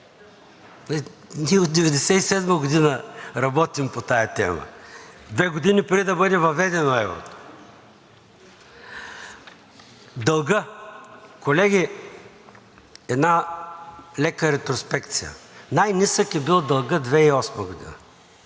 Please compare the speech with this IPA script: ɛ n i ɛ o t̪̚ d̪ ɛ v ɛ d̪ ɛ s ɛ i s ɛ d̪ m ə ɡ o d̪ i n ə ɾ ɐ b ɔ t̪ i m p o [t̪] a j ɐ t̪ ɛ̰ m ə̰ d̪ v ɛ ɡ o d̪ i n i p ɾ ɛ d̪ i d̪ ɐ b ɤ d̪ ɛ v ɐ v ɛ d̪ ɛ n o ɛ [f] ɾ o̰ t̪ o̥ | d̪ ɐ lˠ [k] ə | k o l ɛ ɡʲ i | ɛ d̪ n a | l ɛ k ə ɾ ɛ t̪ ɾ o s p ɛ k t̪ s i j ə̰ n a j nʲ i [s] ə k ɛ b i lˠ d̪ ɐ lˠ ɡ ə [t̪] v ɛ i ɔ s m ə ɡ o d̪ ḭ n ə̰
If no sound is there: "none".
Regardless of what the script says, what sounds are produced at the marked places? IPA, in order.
t̪, v, ɡ, s, d̪

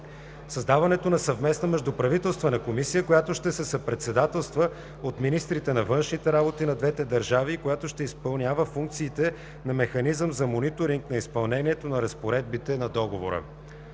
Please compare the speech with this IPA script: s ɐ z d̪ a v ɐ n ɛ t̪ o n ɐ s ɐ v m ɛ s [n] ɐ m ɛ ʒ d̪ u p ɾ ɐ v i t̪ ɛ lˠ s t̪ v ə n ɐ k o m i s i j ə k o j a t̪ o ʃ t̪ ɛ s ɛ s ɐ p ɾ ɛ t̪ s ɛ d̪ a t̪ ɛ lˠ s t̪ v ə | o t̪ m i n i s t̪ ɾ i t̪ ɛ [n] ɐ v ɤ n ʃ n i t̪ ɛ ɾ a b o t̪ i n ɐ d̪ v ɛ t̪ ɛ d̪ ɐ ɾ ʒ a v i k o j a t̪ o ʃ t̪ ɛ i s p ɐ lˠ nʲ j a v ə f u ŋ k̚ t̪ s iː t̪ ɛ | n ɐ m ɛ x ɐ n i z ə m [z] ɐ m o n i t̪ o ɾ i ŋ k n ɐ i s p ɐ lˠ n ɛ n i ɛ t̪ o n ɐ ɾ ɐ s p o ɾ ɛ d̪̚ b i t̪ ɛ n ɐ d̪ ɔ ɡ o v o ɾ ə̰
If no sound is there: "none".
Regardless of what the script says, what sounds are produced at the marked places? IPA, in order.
n, n, z

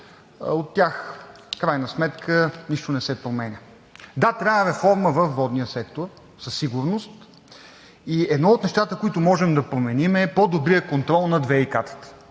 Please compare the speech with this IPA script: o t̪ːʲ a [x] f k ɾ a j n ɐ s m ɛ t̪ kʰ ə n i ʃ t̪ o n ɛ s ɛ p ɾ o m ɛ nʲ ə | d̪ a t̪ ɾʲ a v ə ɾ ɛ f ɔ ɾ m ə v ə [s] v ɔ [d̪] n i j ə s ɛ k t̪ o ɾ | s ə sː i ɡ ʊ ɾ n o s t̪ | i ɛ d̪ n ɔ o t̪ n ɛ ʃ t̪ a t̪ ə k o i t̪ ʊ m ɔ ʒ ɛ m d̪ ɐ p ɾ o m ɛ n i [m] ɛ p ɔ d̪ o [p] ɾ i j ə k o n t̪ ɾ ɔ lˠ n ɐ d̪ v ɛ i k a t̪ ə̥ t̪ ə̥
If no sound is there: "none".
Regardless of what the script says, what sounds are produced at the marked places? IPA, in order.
x, f, d̪, m, b

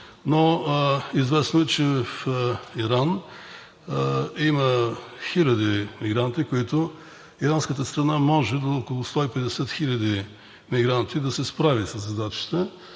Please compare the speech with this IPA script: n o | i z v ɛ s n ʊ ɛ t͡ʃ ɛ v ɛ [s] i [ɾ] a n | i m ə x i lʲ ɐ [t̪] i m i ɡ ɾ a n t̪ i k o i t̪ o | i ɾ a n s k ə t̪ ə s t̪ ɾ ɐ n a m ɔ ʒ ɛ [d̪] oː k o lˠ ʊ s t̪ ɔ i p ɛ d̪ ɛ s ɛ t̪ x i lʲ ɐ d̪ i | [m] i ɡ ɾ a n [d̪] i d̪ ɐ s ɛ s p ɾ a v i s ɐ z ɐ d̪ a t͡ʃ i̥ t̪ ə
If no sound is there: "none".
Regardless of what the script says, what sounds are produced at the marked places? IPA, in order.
f, ɾ, d̪, d̪, m, t̪

